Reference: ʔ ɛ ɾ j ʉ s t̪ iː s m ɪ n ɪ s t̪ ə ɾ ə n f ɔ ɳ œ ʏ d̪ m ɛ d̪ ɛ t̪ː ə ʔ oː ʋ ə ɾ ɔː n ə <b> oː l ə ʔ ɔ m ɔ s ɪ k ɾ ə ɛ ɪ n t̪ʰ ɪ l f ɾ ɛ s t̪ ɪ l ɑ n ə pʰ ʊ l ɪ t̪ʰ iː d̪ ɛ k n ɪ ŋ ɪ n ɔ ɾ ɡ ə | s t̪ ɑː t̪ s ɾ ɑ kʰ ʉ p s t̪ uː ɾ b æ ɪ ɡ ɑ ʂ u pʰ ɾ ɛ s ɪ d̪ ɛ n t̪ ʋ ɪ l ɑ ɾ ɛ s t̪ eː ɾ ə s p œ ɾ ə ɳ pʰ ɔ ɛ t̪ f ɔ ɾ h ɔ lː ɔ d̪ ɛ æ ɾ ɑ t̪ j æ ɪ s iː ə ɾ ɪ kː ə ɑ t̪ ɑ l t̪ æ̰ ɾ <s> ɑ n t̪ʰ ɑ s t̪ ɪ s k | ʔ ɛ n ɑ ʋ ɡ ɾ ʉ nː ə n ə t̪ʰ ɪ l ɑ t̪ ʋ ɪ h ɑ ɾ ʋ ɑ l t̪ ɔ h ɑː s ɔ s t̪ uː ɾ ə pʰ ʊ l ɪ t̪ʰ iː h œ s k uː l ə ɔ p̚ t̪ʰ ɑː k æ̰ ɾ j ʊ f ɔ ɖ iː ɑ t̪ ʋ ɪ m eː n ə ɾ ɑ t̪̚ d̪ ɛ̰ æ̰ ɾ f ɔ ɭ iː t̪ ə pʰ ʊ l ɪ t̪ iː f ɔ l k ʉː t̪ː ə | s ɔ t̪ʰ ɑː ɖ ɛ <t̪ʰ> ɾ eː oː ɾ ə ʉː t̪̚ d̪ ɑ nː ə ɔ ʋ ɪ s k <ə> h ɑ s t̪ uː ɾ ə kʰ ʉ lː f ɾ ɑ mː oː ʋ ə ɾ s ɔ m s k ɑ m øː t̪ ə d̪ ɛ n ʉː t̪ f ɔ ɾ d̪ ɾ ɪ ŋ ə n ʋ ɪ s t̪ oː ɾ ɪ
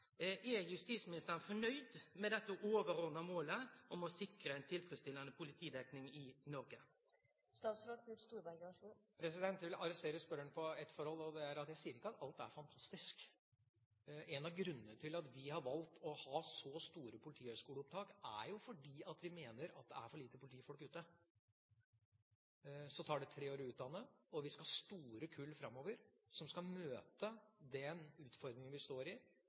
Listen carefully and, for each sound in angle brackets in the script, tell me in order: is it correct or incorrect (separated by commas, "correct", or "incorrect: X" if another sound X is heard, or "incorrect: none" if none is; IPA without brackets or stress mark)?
incorrect: m, incorrect: f, correct, incorrect: ɑ